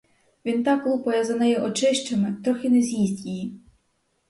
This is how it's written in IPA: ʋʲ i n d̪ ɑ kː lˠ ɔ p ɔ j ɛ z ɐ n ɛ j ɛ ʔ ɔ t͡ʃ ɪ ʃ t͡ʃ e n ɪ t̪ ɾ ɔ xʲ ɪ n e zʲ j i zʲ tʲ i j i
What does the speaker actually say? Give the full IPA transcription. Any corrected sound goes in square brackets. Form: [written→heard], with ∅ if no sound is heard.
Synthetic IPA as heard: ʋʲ i n [d̪→t̪] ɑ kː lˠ [ɔ→u] p ɔ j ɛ z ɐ n ɛ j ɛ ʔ ɔ t͡ʃ ɪ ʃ t͡ʃ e [n→m] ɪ t̪ ɾ ɔ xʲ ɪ n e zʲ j i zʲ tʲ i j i